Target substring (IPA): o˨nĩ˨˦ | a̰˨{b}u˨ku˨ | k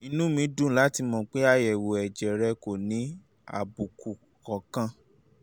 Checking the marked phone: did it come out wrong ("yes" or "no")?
no